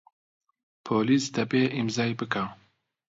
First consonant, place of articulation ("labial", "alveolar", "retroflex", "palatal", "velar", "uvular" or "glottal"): labial